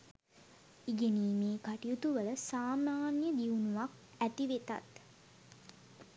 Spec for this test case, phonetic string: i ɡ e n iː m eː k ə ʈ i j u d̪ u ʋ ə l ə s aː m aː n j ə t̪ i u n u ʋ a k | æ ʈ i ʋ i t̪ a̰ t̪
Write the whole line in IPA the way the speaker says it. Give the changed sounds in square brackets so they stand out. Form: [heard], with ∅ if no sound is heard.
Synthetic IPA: i ɡ e n iː m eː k [a] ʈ i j u [t̪] u ʋ ə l ə s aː m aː n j ə [d̪] i u n u ʋ a k | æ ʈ i ʋ [e] t̪ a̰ t̪

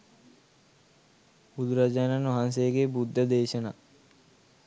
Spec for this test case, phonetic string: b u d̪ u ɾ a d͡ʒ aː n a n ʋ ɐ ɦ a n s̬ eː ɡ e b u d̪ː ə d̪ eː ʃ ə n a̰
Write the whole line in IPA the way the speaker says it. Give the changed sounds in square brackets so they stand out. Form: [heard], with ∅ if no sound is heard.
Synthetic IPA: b u d̪ u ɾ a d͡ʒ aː n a n ʋ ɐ ɦ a n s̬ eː ɡ e b u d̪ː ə d̪ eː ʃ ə n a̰

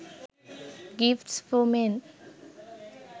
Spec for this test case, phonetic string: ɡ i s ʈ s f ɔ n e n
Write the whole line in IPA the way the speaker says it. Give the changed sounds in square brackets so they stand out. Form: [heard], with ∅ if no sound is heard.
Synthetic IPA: ɡ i [f] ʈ s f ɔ [m] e n

